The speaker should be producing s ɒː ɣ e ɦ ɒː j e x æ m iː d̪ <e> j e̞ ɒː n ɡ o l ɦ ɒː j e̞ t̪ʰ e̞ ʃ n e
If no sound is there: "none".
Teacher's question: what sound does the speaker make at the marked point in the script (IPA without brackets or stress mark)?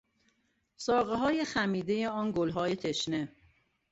e